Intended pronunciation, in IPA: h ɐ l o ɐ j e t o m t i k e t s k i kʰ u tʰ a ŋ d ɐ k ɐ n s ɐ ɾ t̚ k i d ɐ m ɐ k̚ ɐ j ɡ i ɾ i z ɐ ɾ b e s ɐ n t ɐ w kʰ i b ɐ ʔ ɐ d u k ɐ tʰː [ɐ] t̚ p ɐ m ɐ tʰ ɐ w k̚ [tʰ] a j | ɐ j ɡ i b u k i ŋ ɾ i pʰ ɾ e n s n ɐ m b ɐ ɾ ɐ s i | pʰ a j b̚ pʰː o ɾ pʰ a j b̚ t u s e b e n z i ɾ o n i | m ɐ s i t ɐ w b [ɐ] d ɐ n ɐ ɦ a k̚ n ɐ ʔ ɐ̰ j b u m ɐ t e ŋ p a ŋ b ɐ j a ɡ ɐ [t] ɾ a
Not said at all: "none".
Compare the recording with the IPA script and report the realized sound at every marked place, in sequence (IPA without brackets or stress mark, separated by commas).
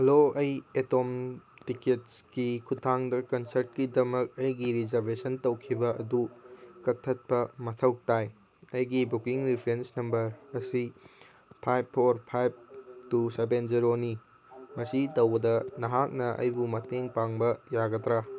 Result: ɐ, t, ɐ, t